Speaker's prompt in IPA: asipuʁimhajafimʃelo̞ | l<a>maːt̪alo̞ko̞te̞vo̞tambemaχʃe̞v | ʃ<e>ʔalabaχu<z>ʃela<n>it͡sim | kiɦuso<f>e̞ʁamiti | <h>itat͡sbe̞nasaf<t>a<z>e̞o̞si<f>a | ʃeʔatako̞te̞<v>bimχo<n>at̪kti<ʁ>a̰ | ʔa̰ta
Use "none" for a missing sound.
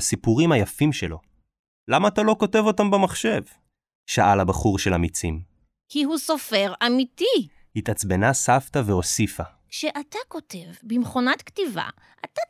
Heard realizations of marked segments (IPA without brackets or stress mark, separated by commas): a, a, ʁ, m, f, h, t, v, f, v, n, v